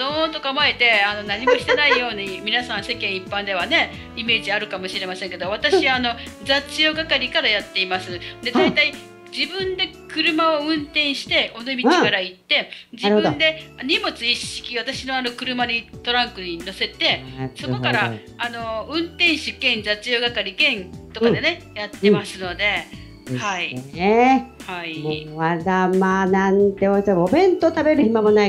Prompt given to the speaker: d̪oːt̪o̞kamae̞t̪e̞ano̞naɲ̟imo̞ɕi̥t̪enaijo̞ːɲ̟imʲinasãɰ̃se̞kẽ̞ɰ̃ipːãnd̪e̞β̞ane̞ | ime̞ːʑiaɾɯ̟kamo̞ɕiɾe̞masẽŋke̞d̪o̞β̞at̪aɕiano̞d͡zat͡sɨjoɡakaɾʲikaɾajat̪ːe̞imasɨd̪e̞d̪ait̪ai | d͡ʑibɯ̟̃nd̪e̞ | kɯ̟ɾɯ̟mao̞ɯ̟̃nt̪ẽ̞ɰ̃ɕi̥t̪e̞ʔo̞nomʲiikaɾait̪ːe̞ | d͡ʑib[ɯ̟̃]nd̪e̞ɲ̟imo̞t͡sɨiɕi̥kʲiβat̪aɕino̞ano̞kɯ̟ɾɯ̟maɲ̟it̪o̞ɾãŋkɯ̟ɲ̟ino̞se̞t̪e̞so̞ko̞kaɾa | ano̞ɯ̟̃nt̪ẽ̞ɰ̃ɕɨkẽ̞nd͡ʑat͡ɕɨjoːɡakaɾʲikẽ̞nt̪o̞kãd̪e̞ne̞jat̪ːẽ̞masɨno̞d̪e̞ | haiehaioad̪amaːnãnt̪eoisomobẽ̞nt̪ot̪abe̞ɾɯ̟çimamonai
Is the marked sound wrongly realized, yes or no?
yes